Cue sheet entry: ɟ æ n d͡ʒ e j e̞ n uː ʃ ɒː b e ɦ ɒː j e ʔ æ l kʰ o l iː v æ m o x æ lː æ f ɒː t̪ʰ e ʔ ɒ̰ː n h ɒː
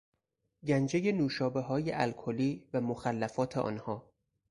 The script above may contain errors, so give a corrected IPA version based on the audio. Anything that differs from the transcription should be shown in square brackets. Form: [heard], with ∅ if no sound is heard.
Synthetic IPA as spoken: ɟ æ n d͡ʒ e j e̞ n uː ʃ ɒː b e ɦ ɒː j e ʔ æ l kʰ o l iː v æ m o x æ lː æ f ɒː t̪ʰ e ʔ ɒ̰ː n h ɒː